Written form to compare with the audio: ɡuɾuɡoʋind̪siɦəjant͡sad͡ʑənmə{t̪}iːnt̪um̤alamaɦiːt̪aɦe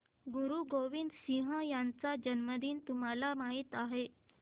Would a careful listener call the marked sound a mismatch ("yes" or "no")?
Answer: yes